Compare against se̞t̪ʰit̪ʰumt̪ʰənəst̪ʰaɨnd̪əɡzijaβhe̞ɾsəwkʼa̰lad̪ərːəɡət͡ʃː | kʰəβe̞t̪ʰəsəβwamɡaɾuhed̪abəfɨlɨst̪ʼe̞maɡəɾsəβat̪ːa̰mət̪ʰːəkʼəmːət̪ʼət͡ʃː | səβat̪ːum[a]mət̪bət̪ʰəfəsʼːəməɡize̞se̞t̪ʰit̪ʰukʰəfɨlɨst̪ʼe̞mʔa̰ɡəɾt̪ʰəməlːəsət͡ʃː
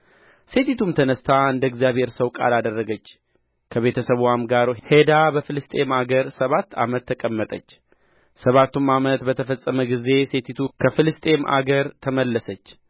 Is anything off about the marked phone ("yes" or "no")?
no